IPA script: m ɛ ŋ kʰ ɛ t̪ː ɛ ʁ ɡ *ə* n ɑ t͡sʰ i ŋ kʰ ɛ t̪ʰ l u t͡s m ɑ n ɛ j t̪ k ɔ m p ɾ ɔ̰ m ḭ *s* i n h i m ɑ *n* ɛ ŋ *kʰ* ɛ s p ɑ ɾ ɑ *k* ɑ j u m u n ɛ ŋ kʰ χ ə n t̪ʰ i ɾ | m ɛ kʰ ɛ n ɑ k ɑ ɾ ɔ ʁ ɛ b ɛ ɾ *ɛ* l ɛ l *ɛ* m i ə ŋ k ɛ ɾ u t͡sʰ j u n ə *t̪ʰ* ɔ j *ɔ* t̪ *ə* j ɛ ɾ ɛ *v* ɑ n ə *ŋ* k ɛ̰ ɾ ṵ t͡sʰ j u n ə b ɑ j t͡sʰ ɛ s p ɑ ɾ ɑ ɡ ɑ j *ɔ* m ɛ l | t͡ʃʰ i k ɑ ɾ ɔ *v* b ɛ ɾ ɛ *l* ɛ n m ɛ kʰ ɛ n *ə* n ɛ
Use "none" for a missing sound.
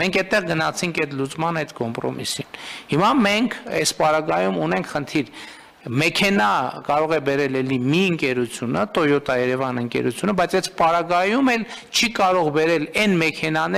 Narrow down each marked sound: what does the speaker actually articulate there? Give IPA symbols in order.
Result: ə, s, m, kʰ, ɡ, ɛ, i, t̪, ɔ, ɑ, v, ŋ, u, ʁ, l, ɑ

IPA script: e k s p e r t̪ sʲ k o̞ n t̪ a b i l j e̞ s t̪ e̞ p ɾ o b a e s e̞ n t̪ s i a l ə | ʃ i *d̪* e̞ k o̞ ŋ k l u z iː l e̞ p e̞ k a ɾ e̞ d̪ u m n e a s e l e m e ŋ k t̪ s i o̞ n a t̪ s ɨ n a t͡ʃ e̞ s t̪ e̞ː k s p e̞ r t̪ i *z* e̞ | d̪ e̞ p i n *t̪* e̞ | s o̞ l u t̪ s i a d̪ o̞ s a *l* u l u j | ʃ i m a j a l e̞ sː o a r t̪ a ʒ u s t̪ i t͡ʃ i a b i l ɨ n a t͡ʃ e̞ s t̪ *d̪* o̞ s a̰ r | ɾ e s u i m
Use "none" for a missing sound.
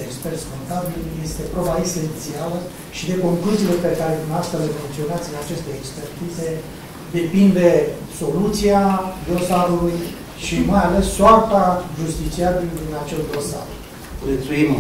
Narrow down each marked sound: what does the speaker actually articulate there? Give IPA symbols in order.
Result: d̪, z, d̪, ɾ, d̪

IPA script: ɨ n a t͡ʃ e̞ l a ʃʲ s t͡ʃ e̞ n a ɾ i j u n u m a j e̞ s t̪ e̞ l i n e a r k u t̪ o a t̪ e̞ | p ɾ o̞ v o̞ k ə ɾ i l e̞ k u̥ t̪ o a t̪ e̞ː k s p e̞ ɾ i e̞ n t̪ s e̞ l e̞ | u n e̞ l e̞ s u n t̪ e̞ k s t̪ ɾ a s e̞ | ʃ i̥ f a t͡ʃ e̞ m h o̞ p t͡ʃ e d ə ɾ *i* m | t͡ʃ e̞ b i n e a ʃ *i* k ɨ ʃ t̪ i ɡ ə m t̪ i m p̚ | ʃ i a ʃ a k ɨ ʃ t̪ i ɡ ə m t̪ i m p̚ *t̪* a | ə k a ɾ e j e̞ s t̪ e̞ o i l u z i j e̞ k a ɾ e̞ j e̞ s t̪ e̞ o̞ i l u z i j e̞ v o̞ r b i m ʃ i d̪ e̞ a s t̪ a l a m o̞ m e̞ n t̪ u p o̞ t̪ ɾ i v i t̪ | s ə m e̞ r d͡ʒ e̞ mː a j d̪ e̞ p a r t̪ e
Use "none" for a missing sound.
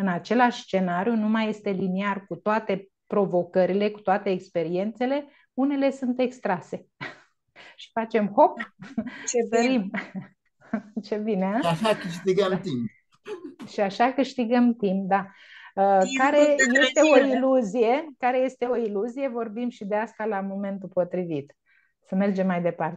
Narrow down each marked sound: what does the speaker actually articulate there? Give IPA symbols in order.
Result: i, a, d̪

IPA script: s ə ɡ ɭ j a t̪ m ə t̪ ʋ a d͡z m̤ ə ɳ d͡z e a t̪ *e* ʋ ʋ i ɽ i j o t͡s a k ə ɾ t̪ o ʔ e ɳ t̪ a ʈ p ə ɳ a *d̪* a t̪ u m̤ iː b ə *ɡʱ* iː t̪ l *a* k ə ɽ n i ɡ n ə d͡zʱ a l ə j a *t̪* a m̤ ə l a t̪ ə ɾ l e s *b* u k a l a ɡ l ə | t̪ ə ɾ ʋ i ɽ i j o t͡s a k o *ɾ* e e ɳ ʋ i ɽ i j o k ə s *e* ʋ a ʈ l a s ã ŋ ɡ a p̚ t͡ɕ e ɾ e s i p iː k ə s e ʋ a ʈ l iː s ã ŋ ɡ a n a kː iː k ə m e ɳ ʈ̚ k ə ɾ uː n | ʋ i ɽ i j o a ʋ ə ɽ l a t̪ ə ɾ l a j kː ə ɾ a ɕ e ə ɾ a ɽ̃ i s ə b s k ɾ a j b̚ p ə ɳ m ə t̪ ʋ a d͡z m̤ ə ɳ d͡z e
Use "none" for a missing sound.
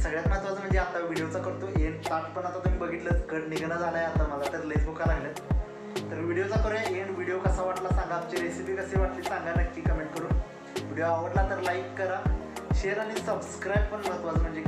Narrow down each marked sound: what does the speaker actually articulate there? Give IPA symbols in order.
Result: a, t̪, ɡʱ, ə, t̪, b, ɾ, a

